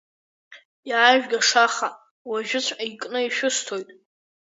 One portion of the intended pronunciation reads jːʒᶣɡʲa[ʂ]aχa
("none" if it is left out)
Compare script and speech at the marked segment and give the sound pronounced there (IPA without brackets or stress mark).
ʂ